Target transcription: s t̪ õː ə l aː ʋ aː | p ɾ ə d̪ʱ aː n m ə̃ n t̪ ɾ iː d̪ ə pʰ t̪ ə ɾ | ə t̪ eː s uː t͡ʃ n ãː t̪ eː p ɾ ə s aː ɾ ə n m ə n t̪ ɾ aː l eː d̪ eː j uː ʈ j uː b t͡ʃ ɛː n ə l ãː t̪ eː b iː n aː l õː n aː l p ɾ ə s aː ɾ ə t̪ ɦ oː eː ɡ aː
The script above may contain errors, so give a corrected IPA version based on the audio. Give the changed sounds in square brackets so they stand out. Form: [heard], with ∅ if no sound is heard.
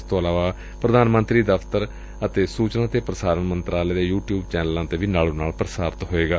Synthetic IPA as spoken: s t̪ õː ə l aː ʋ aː | p ɾ ə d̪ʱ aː n m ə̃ n t̪ ɾ iː d̪ ə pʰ t̪ ə ɾ | ə t̪ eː s uː t͡ʃ n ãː t̪ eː p ɾ ə s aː ɾ ə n m ə n t̪ ɾ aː l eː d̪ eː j uː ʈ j uː b t͡ʃ ɛː n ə l ãː t̪ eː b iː n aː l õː n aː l p ɾ ə s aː ɾ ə t̪ ɦ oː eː ɡ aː